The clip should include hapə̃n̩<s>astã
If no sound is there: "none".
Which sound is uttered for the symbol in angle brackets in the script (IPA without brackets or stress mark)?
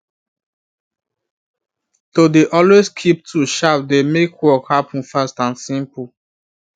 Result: f